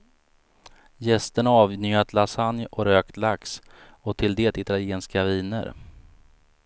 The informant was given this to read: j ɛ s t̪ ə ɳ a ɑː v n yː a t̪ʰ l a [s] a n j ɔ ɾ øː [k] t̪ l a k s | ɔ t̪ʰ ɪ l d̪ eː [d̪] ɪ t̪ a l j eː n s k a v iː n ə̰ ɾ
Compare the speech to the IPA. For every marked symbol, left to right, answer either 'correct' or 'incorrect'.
correct, correct, incorrect: t̪

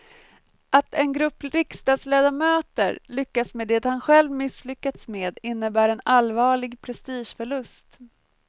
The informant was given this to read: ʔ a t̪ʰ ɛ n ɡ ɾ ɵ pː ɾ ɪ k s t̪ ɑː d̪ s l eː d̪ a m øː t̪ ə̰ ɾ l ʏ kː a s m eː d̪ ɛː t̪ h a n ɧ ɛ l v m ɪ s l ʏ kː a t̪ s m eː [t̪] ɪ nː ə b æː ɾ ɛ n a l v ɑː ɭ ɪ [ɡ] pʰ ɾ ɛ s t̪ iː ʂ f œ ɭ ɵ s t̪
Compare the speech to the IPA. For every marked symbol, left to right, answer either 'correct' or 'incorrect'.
incorrect: d̪, correct

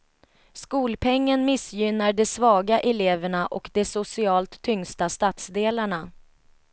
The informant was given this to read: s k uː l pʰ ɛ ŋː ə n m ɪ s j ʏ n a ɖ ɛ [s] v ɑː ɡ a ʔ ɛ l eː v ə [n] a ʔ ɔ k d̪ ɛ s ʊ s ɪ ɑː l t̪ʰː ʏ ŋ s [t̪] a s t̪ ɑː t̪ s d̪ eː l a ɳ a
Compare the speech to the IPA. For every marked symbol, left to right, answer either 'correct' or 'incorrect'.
correct, incorrect: ɳ, correct

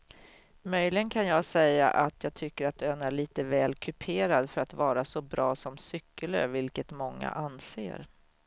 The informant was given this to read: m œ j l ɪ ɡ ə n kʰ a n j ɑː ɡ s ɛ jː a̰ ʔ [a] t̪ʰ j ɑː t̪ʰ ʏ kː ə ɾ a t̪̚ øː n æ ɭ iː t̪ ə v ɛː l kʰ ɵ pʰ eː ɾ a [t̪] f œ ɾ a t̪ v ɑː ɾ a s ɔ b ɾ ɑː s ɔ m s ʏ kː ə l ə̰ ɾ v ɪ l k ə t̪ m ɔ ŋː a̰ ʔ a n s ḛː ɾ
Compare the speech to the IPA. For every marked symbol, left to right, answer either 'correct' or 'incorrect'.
correct, incorrect: d̪

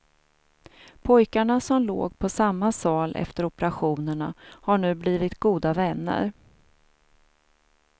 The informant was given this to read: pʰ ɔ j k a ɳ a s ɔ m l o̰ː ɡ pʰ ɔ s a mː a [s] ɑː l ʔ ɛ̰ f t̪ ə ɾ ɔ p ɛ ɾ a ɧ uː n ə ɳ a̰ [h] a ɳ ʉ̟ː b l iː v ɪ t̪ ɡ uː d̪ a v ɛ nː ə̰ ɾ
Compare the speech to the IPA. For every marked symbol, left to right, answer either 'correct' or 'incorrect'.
correct, correct

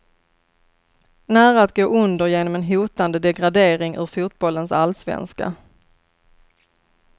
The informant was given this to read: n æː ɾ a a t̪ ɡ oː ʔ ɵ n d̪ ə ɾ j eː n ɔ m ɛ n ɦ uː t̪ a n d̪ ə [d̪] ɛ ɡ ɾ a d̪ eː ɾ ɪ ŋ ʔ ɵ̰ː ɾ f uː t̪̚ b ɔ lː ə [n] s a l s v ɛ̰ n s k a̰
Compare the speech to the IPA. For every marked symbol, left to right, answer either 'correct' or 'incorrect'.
correct, correct

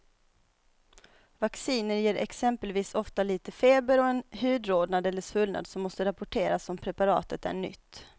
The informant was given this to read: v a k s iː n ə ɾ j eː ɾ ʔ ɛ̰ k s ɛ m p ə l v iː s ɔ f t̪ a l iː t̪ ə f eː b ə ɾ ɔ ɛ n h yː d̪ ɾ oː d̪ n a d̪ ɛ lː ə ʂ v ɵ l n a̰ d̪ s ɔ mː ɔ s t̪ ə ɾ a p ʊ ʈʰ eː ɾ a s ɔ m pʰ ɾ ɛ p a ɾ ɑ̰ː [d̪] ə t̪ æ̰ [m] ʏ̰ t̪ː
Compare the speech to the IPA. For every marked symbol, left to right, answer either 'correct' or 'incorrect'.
incorrect: t̪, incorrect: ɳ

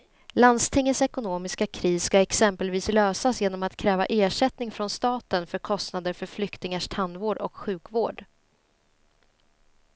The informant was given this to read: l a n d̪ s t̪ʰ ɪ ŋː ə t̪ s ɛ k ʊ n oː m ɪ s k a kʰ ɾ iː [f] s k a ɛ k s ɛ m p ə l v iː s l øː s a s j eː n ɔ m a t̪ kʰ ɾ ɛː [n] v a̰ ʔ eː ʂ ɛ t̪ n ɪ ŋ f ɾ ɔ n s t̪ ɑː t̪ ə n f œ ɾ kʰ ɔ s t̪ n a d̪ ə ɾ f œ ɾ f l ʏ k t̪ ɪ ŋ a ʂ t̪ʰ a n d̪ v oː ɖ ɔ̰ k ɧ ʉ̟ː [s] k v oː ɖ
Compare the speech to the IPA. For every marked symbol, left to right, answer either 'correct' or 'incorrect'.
incorrect: s, incorrect: none, incorrect: none

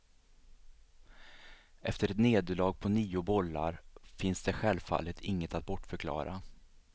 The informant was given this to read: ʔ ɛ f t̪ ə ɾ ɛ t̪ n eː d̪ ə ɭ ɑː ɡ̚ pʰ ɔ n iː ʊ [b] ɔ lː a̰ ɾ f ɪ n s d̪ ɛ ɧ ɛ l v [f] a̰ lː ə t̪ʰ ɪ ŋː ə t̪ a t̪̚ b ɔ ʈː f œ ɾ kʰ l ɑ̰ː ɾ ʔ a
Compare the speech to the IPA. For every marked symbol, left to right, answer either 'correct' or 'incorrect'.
correct, correct

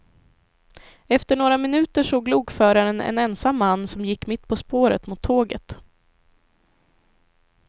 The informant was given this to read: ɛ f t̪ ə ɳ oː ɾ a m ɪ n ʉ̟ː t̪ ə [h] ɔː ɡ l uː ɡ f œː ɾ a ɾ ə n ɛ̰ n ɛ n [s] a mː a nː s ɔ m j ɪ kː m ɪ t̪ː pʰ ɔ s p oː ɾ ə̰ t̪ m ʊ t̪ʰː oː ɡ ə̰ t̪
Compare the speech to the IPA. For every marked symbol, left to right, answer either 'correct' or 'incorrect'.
incorrect: ʂ, correct

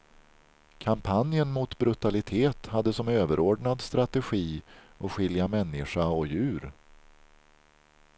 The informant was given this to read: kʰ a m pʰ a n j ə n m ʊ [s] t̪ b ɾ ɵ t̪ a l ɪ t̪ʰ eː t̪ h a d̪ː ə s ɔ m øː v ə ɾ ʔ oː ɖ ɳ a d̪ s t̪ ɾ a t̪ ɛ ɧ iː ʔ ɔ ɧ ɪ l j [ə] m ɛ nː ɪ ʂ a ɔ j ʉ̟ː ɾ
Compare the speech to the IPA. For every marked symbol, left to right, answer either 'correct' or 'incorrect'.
incorrect: none, incorrect: a

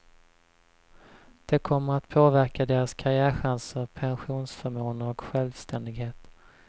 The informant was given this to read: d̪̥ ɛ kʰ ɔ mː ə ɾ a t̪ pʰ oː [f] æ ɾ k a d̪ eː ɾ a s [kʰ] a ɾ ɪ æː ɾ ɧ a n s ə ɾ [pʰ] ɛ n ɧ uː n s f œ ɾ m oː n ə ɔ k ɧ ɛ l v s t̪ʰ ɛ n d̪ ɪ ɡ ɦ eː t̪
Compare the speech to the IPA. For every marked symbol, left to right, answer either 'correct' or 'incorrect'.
incorrect: v, correct, correct

